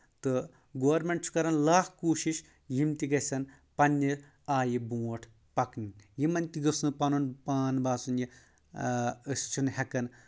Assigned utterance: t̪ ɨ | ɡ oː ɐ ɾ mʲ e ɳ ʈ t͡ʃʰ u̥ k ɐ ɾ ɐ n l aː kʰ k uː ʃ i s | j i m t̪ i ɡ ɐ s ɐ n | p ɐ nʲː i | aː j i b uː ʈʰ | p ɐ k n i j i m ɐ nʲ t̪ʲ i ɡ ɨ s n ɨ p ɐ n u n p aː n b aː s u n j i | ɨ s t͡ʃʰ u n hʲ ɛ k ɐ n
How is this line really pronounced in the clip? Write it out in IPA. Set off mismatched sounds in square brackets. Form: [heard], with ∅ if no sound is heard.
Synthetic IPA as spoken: t̪ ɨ | ɡ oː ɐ ɾ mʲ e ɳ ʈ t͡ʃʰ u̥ k ɐ ɾ ɐ n l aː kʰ k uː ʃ i [ʃ] | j i m t̪ i ɡ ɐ s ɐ n | p ɐ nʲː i | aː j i b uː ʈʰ | p ɐ k n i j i m ɐ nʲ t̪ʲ i ɡ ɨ s n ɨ p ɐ n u n p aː n b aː s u n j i | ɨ s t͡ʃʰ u n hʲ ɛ k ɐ n

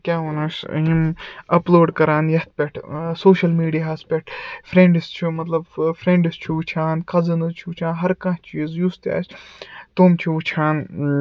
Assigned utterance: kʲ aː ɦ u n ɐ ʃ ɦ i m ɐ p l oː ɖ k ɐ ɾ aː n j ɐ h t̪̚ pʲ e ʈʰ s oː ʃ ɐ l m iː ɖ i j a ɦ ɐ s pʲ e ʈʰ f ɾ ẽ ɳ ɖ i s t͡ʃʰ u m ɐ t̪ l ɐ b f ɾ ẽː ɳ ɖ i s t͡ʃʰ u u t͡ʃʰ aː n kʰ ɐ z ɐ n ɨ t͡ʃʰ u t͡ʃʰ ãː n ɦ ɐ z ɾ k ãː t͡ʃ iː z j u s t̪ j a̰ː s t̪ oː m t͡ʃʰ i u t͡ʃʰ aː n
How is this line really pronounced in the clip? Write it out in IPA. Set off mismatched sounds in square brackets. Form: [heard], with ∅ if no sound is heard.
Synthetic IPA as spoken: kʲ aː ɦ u n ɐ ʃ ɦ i m ɐ p l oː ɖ k ɐ ɾ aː n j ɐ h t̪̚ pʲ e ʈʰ s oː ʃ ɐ l m iː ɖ i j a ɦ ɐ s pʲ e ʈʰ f ɾ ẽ ɳ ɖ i s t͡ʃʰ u m ɐ t̪ l ɐ b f ɾ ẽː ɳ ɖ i s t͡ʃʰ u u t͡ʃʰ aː n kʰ ɐ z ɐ n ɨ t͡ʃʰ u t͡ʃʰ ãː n ɦ ɐ [∅] ɾ k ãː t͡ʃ iː z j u s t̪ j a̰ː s t̪ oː m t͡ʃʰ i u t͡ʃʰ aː n

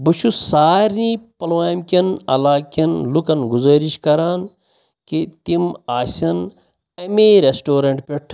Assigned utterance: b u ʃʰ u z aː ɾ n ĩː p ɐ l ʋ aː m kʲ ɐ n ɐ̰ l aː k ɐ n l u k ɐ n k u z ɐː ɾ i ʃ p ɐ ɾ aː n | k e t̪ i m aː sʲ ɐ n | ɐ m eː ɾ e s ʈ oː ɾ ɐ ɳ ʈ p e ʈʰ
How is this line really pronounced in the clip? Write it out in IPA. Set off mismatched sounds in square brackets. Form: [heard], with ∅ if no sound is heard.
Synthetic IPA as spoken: b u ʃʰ u [s] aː ɾ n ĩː p ɐ l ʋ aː m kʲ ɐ n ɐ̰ l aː k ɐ n l u k ɐ n [ɡ] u z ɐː ɾ i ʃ [k] ɐ ɾ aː n | k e t̪ i m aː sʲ ɐ n | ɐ m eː ɾ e s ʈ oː ɾ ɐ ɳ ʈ p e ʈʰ

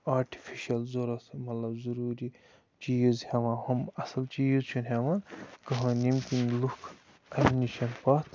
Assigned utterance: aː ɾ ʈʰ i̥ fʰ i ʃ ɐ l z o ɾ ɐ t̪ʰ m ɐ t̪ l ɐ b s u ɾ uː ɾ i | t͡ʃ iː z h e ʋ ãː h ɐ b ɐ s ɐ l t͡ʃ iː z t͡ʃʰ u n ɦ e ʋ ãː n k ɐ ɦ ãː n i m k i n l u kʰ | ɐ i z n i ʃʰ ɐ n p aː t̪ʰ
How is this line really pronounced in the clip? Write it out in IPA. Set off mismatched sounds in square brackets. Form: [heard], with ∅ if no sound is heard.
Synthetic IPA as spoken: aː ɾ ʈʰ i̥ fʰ i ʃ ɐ l z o ɾ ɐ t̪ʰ m ɐ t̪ l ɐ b [z] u ɾ uː ɾ i | t͡ʃ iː z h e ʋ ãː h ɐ [m] ɐ s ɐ l t͡ʃ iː z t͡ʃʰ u n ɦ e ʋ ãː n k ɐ ɦ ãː n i m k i n l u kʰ | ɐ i [∅] n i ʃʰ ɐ n p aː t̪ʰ

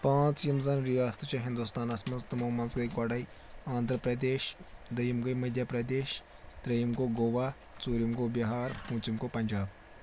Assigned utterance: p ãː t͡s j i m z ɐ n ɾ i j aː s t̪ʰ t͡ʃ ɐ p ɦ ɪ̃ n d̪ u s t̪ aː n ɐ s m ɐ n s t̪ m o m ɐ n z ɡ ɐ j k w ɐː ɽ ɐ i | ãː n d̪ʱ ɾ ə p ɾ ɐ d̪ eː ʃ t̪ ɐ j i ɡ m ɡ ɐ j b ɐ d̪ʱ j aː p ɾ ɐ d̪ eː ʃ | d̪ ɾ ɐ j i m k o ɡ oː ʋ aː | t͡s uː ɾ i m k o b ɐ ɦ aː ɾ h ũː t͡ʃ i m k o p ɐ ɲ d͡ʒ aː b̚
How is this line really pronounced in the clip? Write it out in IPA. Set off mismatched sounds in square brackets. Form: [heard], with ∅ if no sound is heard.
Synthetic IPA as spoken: p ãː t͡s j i m z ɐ n ɾ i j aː s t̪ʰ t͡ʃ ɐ [∅] ɦ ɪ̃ n d̪ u s t̪ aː n ɐ s m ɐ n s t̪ m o m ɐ n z ɡ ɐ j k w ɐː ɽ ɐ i | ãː n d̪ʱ ɾ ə p ɾ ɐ d̪ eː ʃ [d̪] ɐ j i [∅] m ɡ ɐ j [m] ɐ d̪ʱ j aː p ɾ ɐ d̪ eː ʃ | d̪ ɾ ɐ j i m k o ɡ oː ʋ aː | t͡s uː ɾ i m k o b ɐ ɦ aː ɾ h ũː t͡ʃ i m k o p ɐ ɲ d͡ʒ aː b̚

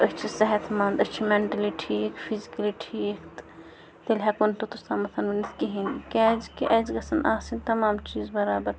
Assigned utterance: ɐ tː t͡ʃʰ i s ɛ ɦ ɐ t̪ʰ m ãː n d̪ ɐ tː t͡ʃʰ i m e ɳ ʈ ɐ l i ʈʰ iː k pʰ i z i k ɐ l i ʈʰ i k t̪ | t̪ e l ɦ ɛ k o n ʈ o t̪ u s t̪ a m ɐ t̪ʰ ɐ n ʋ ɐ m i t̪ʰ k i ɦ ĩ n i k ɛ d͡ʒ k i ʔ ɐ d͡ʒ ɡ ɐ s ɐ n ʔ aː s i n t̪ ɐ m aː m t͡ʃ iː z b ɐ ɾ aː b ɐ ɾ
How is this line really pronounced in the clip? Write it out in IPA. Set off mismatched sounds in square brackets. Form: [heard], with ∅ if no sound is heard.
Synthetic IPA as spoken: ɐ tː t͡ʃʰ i s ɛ ɦ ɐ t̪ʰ m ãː n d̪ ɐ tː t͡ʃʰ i m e ɳ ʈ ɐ l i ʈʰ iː k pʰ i z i k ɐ l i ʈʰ i k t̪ | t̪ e l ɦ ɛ k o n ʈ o t̪ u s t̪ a m ɐ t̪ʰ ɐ n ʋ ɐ [n] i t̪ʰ k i ɦ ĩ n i k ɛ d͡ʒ k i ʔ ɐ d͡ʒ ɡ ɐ s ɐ n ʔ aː s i n t̪ ɐ m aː m t͡ʃ iː z b ɐ ɾ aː b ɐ ɾ

